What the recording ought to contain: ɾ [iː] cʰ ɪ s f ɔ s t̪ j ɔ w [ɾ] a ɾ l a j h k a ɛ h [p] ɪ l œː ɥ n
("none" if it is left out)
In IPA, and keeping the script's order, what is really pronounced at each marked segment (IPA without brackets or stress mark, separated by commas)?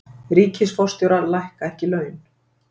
iː, ɾ, c